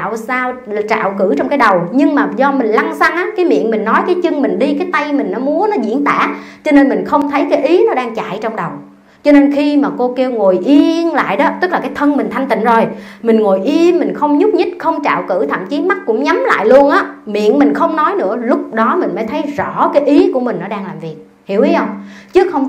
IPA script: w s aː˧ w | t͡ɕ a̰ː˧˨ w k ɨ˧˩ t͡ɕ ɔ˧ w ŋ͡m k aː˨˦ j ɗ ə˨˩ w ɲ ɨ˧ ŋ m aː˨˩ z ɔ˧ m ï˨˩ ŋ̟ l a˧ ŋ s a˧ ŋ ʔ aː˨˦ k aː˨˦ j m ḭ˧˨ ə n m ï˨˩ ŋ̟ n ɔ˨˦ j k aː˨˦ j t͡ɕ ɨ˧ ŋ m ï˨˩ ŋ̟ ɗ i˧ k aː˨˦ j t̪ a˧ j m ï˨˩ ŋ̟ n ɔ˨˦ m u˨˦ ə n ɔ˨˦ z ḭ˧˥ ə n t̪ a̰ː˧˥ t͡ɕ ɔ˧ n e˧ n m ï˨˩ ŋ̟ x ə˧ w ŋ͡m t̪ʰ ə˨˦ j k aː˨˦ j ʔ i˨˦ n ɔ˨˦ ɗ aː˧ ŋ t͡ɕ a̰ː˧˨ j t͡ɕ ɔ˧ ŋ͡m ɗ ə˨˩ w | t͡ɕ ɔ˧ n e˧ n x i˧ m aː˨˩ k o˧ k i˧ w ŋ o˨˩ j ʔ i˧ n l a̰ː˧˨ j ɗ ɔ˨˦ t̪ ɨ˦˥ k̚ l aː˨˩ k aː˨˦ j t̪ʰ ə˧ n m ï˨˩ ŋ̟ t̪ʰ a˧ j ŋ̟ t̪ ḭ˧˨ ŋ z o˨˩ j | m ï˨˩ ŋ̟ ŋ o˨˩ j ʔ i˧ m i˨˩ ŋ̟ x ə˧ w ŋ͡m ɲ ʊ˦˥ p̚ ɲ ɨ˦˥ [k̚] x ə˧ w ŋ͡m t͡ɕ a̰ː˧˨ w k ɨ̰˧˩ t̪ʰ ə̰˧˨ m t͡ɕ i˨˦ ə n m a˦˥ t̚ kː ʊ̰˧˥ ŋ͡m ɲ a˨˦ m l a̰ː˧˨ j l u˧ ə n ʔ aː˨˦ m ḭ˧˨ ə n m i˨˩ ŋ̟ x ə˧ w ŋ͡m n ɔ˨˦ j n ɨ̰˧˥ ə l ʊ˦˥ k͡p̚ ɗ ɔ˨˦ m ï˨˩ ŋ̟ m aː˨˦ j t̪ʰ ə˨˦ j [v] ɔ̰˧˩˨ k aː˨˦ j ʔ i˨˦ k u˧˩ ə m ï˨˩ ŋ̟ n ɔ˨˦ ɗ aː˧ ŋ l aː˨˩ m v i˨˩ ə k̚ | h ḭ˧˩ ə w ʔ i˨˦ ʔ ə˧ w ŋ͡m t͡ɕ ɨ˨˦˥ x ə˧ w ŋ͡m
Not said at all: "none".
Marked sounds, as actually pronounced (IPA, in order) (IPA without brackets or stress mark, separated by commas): t̚, z